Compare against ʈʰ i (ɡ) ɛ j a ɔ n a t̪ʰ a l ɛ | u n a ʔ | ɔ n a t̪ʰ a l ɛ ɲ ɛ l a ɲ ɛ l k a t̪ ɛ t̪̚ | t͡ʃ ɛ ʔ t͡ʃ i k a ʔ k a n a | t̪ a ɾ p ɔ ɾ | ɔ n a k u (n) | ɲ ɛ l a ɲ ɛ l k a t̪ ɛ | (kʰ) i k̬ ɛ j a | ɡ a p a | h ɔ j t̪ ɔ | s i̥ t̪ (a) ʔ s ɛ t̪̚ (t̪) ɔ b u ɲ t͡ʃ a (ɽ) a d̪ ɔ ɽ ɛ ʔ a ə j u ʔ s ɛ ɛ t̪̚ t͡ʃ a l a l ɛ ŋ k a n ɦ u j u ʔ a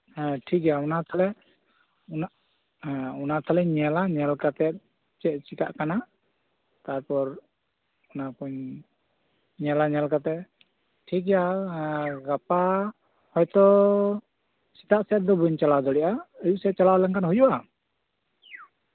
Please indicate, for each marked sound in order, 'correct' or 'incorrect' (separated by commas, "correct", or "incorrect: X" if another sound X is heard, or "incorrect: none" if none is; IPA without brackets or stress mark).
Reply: incorrect: k, incorrect: ɲ, incorrect: ʈʰ, correct, incorrect: d̪, incorrect: l